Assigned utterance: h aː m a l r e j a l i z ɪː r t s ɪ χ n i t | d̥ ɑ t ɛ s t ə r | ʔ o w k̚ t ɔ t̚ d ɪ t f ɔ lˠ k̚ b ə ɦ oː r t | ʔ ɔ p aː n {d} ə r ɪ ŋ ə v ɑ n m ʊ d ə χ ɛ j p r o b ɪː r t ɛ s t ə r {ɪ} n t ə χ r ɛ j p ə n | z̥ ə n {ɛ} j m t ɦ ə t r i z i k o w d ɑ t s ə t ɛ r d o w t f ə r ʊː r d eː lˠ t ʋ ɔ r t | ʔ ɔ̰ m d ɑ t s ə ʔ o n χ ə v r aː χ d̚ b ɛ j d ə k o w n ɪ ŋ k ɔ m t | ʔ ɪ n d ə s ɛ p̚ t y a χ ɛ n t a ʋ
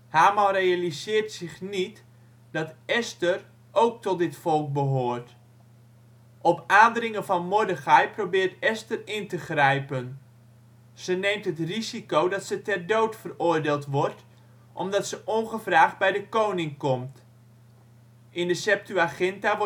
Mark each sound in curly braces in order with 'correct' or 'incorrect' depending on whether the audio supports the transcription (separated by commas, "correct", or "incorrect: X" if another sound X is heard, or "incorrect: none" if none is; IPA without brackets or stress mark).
correct, correct, incorrect: e